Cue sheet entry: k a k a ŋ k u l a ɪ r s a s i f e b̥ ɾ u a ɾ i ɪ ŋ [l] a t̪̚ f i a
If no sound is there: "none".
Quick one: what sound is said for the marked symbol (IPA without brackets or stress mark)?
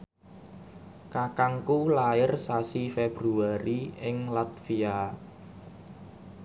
l